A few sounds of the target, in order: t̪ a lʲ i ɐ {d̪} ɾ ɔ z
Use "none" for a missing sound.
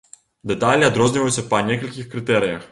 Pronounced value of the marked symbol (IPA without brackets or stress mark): d̪